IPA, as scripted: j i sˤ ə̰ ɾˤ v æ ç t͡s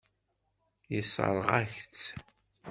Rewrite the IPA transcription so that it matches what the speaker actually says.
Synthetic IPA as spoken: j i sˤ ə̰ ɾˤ ʁ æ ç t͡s

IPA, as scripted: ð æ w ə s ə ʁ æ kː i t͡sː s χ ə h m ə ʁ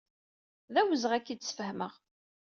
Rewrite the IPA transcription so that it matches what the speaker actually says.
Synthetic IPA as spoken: ð æ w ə z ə ʁ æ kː i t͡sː s f ə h m ə ʁ

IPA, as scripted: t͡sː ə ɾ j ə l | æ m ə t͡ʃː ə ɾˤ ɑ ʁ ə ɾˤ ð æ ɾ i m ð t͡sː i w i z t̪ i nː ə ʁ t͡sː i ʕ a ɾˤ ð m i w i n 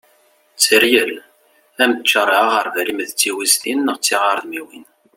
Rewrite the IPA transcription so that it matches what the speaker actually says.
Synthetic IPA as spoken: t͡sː ə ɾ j ə l | æ m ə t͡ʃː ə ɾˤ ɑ ʁ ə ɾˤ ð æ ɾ i m ð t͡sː i w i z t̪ i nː ə ʁ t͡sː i ʁ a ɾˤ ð m i w i n

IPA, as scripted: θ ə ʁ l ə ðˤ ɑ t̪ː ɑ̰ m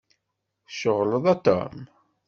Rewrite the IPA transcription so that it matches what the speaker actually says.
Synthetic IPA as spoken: ʃ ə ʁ l ə ðˤ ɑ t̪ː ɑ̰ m

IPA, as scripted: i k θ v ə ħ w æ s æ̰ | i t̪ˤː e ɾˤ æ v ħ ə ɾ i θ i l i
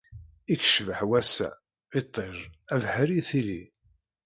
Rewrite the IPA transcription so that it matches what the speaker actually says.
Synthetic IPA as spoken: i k ʃ v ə ħ w æ s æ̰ | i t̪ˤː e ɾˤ æ v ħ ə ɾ i θ i l i

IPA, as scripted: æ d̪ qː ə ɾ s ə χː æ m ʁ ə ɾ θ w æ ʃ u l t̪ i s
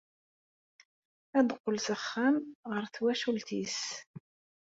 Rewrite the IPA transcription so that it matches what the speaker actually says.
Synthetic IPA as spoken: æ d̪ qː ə l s ə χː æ m ʁ ə ɾ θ w æ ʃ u l t̪ i s

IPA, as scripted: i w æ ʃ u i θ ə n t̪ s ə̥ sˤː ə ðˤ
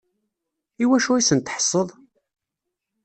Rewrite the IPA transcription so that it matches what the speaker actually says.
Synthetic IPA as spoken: i w æ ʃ u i s ə n t̪ ħ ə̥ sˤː ə ðˤ

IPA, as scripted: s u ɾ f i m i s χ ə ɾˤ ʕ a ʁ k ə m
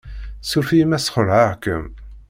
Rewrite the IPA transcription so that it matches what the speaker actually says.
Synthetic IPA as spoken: s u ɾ f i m æ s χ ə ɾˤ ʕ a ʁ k ə m

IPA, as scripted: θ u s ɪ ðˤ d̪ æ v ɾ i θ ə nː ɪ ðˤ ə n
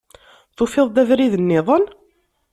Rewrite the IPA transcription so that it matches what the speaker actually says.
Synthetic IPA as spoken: θ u f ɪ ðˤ d̪ æ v ɾ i ð ə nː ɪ ðˤ ə n

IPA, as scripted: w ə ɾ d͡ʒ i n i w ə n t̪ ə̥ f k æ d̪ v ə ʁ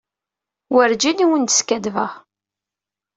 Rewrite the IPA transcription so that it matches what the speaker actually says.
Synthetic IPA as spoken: w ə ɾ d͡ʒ i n i w ə n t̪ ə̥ s k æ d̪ v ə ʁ

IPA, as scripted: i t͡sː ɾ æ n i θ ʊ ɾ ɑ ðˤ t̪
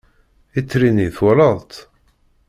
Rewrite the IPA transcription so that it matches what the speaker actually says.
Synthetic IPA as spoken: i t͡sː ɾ i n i θ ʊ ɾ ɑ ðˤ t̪

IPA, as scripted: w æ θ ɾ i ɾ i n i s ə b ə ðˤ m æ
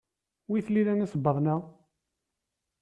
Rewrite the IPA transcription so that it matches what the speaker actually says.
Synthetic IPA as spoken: w i θ l i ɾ æ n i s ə b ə ðˤ n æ

